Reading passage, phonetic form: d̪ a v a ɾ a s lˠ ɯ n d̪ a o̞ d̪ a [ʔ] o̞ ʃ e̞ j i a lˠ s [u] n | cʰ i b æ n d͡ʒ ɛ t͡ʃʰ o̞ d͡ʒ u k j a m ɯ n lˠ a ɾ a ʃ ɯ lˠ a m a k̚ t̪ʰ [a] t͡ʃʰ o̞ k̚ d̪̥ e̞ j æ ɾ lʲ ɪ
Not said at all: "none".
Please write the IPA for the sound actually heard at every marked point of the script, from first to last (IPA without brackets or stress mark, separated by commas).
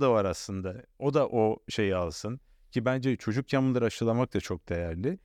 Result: ʔ, ɯ, a